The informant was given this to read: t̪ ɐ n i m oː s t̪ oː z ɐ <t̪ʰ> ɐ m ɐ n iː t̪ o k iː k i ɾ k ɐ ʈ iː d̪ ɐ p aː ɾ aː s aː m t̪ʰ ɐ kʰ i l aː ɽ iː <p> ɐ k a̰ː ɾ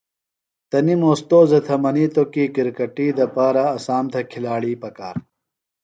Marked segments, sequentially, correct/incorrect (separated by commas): correct, correct